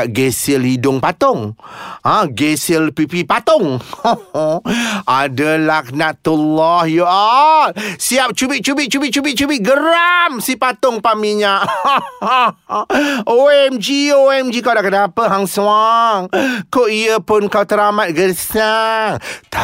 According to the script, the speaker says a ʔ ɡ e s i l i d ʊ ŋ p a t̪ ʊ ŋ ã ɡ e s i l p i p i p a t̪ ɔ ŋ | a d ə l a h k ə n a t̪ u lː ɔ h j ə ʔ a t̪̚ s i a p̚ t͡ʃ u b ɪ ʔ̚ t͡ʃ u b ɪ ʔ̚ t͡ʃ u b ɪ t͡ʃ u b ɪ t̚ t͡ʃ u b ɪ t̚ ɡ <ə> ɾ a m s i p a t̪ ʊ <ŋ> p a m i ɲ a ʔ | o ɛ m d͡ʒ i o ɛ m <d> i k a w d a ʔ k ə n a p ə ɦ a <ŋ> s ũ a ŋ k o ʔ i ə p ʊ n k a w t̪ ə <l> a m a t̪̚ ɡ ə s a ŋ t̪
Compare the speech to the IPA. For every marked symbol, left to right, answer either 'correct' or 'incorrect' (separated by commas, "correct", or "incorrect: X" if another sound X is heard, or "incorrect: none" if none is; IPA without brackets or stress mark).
correct, correct, incorrect: d͡ʒ, correct, incorrect: ɾ